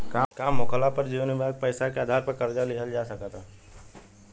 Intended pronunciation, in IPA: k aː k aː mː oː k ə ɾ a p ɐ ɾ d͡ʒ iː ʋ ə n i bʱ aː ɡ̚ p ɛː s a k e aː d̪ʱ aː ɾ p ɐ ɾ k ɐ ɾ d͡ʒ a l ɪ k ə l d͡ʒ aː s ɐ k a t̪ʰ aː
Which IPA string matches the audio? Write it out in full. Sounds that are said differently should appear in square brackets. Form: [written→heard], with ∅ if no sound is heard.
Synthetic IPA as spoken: k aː k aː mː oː k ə [ɾ→l] a p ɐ ɾ d͡ʒ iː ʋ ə n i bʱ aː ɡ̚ p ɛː s a k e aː d̪ʱ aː ɾ p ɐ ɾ k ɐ ɾ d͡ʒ a l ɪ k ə l d͡ʒ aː s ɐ k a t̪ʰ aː